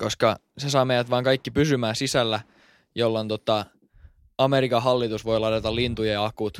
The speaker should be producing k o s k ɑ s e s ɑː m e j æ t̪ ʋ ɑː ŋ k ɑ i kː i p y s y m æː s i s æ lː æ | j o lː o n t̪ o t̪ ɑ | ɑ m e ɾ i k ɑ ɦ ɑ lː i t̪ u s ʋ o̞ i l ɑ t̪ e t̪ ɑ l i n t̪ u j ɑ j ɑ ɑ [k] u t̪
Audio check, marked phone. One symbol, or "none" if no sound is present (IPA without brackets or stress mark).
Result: k